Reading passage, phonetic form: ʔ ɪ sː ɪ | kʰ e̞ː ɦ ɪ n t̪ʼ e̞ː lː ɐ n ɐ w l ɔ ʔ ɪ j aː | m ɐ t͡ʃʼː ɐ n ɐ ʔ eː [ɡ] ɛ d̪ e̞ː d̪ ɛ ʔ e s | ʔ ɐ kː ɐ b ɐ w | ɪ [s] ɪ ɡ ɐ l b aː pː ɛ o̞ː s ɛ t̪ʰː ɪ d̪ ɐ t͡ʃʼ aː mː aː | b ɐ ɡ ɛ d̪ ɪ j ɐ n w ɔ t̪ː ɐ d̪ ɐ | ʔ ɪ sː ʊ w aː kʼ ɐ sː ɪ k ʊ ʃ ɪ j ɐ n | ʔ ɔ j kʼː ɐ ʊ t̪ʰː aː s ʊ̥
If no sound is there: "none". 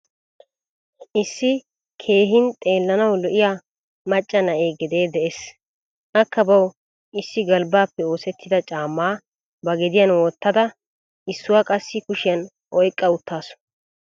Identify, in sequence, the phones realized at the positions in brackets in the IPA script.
ɡ, sː

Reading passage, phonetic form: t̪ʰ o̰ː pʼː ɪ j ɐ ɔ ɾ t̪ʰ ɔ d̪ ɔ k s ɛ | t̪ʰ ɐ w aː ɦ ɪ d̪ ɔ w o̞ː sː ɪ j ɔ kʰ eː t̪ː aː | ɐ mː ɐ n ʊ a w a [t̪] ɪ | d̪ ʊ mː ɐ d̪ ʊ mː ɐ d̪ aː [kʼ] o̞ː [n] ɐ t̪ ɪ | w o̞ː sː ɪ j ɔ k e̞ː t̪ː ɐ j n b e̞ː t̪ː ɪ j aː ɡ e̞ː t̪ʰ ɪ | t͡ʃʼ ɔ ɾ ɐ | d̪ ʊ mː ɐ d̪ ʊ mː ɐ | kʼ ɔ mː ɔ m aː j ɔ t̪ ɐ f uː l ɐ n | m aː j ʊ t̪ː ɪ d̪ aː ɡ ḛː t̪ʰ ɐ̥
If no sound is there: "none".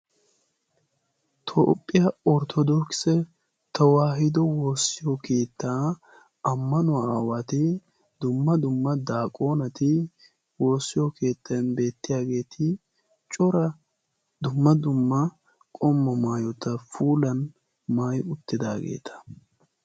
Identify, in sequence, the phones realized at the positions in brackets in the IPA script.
t̪, kʼ, n

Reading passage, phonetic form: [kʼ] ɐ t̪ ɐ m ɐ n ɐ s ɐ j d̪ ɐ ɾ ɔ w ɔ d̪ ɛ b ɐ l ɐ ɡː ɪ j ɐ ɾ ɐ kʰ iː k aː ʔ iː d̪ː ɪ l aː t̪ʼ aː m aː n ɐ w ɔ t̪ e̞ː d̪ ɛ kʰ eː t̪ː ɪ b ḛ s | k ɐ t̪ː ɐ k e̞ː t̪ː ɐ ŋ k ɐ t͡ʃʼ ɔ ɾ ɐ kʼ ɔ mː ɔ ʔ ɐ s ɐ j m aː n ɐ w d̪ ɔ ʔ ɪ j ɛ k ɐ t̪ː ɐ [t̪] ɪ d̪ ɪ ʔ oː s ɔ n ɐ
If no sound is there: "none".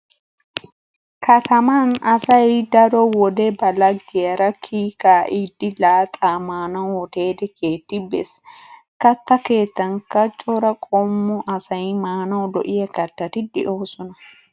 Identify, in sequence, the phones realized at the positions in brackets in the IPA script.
k, t̪

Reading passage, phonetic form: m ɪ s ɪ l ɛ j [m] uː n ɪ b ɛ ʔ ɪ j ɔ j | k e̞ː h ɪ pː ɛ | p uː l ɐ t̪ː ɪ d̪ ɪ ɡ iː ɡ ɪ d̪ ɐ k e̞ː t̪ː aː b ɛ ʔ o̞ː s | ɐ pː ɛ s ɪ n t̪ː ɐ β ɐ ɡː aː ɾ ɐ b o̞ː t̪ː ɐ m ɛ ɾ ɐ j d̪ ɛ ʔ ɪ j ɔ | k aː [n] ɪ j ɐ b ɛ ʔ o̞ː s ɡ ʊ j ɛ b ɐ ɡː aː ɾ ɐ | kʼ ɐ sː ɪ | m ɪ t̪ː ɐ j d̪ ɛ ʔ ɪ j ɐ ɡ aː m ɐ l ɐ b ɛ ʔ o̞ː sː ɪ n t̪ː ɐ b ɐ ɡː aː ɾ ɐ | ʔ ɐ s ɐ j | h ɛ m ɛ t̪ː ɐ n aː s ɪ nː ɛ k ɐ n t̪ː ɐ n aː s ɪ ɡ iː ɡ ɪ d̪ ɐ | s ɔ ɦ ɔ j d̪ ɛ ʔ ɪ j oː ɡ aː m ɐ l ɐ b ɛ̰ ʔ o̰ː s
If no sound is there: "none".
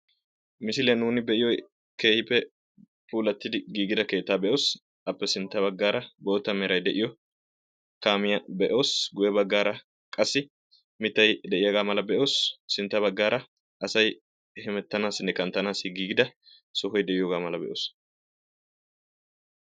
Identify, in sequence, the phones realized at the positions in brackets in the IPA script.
n, m

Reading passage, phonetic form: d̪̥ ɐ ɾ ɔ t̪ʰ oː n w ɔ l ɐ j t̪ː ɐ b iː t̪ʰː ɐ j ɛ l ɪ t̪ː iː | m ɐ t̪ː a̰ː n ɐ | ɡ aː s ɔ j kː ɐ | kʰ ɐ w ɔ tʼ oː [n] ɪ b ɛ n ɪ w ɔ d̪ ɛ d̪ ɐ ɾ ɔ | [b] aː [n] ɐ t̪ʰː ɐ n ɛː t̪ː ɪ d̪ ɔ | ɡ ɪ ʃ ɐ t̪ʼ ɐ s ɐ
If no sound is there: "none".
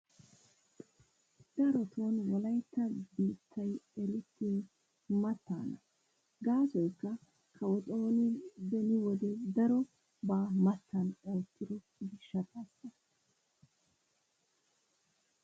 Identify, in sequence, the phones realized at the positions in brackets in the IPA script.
n, b, m

